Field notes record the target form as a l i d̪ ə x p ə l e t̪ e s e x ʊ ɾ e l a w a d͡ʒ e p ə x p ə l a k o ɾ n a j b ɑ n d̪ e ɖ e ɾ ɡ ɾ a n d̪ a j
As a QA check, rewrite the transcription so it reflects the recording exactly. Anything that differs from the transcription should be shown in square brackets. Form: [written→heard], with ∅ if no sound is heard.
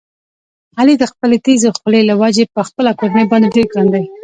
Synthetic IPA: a l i d̪ ə x p ə l e t̪ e [s→z] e x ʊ [ɾ→l] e l a w a d͡ʒ e p ə x p ə l a k o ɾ n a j b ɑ n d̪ e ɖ e ɾ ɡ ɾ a n d̪ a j